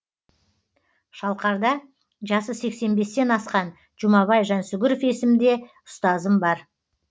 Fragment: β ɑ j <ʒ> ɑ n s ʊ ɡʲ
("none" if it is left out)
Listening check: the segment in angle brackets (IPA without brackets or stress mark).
ʒ